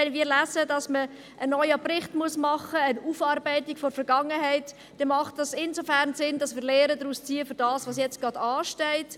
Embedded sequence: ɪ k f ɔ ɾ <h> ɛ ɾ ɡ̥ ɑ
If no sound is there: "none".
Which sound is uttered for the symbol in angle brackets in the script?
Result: f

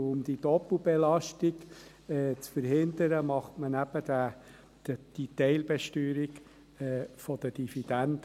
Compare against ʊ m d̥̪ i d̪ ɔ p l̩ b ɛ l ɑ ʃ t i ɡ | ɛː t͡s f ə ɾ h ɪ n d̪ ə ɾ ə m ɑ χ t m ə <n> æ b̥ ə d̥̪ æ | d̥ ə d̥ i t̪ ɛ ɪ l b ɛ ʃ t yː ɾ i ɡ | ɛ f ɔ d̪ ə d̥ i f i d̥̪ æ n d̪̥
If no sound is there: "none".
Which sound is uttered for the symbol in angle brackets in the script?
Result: n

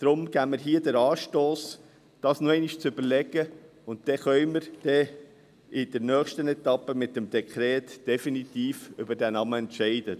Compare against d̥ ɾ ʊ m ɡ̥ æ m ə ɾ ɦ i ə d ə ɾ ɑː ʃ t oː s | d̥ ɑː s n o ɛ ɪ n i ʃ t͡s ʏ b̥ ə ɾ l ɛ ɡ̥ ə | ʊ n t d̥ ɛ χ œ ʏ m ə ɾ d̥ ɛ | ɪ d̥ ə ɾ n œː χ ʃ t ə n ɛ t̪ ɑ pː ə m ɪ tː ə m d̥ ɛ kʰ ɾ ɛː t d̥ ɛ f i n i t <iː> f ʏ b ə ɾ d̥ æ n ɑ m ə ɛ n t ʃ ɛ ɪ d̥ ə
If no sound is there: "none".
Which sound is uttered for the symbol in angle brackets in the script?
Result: iː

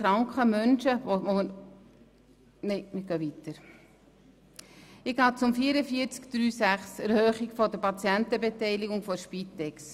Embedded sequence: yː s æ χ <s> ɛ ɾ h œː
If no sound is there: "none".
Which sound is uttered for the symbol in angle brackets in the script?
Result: s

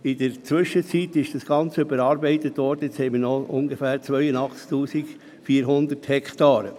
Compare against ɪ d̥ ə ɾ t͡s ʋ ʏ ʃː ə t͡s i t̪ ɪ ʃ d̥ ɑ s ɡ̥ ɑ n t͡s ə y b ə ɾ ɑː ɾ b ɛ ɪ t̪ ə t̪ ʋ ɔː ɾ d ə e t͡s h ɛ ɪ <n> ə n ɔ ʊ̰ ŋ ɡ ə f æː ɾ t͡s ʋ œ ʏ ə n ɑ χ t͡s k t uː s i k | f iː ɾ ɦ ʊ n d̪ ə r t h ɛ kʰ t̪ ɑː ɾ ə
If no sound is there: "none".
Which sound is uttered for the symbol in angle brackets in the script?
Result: m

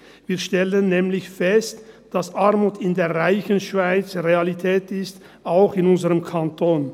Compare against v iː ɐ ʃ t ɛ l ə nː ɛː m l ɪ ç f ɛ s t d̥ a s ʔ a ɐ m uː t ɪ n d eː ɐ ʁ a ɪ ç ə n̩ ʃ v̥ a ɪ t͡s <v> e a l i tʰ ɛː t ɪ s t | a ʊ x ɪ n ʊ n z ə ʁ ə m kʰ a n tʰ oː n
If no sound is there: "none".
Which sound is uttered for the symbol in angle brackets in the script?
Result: ʁ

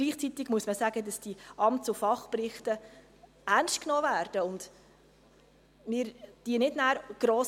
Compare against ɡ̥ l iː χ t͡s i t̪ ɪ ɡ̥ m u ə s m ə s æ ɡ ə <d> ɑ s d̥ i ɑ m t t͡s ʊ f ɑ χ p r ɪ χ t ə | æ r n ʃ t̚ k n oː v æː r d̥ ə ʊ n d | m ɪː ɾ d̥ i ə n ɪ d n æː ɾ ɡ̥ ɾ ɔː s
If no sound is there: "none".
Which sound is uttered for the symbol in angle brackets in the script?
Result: d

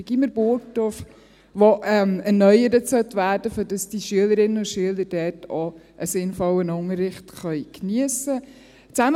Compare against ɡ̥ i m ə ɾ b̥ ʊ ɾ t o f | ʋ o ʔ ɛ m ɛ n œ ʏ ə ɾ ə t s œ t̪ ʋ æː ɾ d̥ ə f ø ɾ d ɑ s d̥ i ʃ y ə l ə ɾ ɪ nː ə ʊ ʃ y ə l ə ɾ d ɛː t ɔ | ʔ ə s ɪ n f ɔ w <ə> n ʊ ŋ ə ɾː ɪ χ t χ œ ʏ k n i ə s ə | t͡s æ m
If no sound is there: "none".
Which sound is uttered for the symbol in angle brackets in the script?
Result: ə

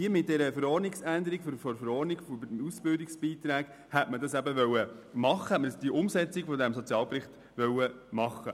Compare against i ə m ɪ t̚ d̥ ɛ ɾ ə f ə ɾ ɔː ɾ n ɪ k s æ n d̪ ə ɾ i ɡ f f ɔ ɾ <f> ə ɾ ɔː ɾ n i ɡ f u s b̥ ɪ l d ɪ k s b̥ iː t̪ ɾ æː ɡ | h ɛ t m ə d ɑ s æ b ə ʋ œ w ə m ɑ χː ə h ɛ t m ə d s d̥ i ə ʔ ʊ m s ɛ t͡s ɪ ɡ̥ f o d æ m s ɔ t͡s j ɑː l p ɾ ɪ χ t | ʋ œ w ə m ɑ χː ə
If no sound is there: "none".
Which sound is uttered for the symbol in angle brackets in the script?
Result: f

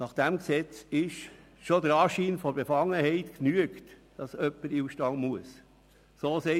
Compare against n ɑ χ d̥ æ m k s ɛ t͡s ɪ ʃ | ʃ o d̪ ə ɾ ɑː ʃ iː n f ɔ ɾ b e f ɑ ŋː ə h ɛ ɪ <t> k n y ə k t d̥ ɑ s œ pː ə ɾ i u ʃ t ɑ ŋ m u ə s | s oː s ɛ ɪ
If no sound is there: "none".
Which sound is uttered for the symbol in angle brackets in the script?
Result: t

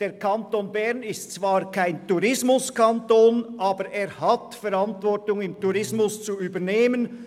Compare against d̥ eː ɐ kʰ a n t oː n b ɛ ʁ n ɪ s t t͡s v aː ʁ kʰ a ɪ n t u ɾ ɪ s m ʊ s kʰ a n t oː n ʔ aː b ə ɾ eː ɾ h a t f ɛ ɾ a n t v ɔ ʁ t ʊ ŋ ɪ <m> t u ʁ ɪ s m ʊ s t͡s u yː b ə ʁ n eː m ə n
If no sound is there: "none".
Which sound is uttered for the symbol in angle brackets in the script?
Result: m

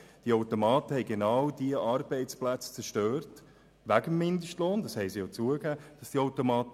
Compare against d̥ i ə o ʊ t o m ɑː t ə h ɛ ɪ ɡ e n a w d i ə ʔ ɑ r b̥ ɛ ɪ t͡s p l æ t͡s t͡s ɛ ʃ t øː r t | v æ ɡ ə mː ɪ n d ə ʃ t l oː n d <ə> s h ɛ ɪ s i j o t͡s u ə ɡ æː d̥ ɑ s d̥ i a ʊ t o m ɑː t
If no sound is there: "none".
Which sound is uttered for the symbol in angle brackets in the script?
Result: ɑ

